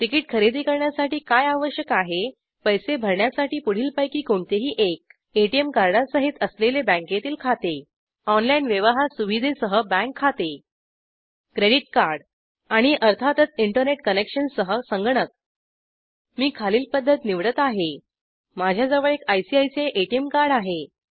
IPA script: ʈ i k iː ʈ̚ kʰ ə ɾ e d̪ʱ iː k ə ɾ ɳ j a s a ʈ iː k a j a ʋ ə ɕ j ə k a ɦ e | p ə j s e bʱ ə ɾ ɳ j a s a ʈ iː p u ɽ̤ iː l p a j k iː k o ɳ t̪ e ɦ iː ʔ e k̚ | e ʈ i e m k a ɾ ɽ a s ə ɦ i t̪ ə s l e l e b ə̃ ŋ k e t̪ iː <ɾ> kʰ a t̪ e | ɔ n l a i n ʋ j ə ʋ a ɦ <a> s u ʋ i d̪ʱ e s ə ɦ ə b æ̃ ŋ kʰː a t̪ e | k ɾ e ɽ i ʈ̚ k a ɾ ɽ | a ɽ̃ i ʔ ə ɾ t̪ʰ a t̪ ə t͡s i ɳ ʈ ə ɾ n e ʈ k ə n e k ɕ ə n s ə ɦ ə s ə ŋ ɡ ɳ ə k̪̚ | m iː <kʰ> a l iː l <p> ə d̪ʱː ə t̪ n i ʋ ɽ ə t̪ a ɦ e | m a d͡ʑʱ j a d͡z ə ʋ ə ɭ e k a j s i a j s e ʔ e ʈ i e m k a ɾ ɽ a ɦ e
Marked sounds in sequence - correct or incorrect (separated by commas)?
incorrect, correct, correct, correct